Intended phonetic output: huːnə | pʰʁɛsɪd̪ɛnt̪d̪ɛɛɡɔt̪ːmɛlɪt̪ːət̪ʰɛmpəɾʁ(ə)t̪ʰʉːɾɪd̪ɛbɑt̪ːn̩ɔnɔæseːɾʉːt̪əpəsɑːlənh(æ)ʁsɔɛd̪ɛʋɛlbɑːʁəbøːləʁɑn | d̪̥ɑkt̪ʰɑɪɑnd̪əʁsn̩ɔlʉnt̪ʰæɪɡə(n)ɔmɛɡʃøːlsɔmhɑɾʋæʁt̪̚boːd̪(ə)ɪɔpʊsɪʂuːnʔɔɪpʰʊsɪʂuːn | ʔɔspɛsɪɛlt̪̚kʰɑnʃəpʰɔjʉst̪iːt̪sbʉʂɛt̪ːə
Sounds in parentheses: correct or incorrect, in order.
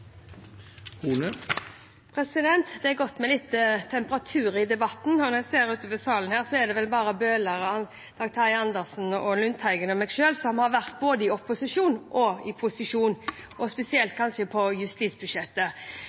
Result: incorrect, incorrect, correct, correct

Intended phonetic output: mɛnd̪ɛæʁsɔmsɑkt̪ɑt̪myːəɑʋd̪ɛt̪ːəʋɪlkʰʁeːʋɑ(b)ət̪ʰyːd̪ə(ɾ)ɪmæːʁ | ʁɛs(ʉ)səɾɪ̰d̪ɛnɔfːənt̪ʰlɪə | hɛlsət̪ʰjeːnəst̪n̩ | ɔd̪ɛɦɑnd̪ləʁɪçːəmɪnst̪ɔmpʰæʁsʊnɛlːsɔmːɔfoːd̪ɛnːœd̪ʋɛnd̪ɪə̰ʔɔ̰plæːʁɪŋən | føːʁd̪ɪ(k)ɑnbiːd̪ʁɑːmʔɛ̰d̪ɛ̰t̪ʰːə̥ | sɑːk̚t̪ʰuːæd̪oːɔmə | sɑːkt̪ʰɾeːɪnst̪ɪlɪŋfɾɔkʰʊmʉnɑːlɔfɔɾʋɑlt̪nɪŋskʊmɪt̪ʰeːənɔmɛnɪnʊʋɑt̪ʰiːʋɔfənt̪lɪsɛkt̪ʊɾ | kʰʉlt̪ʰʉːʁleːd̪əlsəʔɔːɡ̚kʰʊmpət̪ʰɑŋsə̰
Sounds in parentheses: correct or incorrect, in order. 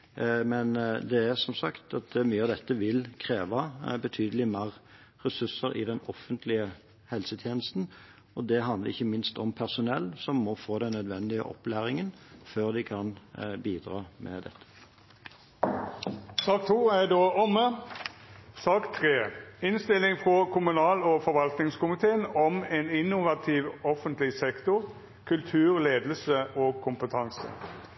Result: correct, incorrect, correct, incorrect

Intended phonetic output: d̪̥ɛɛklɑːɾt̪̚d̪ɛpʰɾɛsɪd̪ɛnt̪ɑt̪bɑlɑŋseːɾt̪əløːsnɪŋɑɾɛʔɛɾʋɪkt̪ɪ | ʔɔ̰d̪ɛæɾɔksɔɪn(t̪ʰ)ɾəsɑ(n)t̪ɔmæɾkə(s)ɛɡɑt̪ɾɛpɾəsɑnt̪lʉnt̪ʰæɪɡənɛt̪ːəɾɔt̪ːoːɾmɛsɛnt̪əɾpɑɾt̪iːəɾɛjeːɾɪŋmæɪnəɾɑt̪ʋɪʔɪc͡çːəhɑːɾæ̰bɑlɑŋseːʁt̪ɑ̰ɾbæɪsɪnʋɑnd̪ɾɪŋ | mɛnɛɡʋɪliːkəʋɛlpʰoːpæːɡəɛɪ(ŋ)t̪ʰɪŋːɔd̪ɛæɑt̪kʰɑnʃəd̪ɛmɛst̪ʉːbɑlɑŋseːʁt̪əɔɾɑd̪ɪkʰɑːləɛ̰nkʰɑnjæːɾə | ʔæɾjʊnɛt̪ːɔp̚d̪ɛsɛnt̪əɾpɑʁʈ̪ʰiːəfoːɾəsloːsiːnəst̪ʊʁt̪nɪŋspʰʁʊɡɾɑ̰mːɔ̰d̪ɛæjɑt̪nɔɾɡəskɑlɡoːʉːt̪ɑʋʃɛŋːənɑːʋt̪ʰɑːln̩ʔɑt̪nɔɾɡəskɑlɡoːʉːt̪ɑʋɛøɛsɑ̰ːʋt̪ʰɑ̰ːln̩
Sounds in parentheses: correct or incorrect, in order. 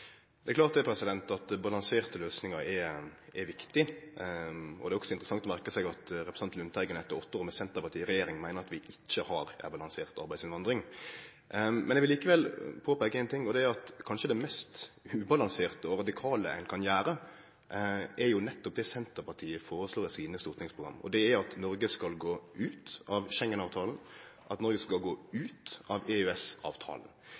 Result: incorrect, incorrect, correct, incorrect

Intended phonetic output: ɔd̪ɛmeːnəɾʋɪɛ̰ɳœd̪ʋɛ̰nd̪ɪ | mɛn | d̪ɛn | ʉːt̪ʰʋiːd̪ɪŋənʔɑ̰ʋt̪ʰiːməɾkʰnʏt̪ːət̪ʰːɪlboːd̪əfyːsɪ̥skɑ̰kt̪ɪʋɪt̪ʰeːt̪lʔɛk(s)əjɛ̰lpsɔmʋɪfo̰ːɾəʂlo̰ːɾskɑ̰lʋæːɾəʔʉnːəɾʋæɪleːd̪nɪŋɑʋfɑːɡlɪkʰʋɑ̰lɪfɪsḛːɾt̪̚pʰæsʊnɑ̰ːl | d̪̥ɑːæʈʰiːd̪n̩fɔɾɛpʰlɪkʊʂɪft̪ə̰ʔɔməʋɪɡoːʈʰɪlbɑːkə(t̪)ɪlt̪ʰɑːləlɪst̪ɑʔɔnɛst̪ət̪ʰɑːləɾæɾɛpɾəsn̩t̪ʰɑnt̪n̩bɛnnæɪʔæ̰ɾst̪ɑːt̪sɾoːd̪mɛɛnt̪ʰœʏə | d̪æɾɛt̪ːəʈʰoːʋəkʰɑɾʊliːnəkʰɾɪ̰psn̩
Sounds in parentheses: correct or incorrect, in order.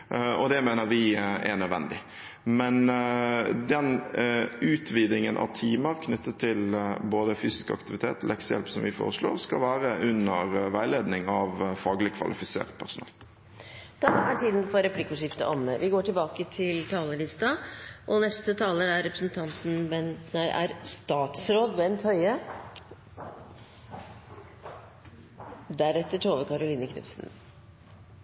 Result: correct, incorrect

